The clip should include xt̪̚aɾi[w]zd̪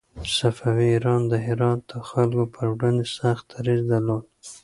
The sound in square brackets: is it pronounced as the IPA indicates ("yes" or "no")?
no